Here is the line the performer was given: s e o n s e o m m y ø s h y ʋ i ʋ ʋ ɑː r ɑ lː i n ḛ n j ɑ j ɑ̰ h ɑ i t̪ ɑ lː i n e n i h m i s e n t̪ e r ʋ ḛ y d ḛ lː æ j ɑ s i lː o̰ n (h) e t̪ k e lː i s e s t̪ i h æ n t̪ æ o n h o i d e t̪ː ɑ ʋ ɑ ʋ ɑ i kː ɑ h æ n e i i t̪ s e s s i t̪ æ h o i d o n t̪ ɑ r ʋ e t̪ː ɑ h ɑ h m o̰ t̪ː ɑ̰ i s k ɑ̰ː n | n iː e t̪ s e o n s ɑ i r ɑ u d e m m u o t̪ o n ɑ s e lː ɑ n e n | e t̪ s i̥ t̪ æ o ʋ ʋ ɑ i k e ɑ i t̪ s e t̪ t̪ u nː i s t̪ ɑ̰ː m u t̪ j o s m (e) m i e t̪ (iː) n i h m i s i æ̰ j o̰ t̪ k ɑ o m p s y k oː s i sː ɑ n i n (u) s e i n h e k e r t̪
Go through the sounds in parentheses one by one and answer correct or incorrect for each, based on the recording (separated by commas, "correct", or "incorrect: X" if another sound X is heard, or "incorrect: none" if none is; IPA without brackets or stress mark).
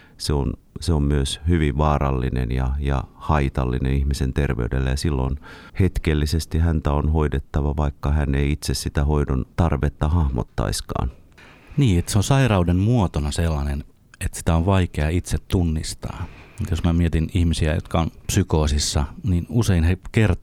correct, incorrect: æ, incorrect: i, correct